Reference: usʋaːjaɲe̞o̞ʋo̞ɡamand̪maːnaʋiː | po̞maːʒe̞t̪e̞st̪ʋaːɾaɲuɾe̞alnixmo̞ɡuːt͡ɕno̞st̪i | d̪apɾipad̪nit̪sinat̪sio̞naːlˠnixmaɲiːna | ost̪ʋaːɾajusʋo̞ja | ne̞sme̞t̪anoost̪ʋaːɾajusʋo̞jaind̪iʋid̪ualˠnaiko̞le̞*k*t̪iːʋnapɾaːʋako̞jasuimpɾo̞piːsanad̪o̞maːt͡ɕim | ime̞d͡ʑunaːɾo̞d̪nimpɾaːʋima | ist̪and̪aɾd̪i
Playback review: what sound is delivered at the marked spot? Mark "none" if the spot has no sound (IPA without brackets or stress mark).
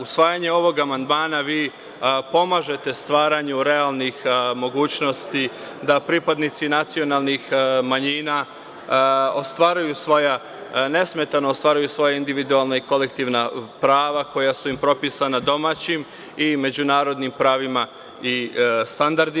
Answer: k